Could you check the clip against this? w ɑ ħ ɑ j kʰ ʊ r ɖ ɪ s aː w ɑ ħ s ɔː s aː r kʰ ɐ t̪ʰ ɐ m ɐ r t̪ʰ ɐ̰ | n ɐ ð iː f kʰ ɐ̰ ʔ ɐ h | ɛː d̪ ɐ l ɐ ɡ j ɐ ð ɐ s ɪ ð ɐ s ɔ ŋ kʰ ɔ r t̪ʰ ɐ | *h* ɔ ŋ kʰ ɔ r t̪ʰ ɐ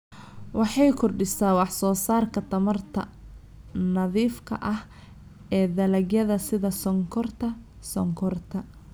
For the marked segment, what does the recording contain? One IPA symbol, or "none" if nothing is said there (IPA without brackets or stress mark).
s